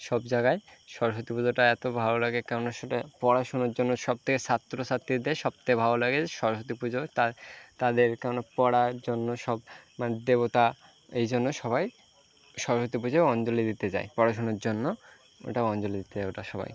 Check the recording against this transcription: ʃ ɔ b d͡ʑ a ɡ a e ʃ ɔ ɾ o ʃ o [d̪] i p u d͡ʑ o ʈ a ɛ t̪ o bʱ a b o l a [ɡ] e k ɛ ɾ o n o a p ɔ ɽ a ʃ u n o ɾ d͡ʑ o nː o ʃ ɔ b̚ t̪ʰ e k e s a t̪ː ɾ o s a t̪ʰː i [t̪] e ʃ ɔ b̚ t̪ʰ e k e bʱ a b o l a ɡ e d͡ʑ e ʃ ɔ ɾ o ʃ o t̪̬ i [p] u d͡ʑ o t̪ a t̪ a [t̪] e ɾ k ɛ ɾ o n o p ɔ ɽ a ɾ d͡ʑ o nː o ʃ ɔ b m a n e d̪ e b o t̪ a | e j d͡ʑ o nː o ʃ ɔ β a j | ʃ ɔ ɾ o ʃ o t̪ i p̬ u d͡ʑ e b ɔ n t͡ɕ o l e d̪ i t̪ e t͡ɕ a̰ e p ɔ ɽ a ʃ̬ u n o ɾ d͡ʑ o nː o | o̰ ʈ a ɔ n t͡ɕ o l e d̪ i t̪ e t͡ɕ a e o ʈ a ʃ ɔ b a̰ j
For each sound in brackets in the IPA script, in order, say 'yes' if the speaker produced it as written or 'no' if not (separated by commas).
no, yes, no, yes, no